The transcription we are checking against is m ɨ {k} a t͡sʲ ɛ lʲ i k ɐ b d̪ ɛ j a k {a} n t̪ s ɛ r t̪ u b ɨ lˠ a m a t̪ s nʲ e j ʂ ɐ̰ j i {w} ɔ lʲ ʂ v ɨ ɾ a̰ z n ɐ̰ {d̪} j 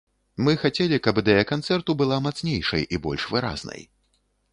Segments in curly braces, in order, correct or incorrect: incorrect: x, correct, incorrect: b, incorrect: none

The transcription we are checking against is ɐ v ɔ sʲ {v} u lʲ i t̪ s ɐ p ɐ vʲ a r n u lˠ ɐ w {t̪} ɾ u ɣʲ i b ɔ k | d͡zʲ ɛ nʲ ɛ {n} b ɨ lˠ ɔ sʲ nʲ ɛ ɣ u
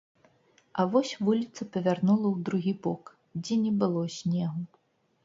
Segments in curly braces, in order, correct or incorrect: correct, incorrect: d̪, incorrect: none

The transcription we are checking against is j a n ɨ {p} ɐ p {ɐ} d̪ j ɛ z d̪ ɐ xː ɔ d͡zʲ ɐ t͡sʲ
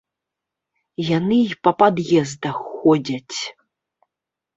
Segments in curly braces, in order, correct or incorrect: correct, incorrect: a

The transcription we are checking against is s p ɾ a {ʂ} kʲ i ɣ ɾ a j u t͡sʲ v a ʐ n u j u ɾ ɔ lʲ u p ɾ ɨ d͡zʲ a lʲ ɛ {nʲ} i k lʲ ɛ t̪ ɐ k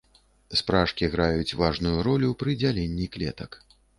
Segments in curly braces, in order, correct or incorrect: correct, incorrect: nʲː

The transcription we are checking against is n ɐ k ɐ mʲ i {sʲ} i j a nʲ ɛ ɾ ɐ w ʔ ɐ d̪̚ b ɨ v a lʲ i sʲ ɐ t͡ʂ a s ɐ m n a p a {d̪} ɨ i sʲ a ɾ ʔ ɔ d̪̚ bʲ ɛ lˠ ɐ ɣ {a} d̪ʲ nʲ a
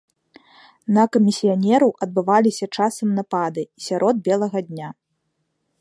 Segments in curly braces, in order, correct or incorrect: correct, correct, incorrect: ɐ

